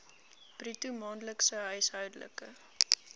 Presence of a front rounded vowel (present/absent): present